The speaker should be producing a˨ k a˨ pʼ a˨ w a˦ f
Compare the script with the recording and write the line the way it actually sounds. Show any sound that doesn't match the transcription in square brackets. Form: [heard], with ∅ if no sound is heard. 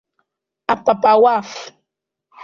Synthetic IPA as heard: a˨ [p] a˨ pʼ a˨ w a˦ f